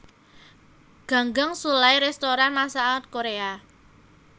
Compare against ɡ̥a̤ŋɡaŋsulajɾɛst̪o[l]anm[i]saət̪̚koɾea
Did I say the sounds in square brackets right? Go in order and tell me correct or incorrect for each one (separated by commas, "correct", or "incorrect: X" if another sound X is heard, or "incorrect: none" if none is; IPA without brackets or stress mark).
incorrect: ɾ, incorrect: a